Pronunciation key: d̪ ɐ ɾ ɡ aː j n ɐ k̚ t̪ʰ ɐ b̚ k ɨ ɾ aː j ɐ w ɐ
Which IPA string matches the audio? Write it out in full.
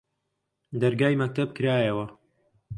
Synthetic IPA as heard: d̪ ɐ ɾ ɡ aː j m ɐ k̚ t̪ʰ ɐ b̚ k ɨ ɾ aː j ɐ w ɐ